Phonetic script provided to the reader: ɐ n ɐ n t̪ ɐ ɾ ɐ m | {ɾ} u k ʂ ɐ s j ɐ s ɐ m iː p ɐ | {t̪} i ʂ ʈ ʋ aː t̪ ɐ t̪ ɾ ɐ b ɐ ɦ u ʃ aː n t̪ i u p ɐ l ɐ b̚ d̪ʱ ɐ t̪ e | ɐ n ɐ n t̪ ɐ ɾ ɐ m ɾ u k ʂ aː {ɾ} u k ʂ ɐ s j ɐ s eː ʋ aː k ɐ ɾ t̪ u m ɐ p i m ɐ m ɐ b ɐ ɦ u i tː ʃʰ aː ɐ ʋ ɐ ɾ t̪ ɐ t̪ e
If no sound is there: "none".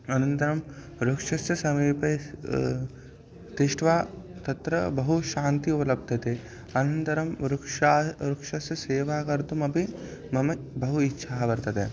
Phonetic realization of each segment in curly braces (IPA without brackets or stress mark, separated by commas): ɾ, t̪, ɾ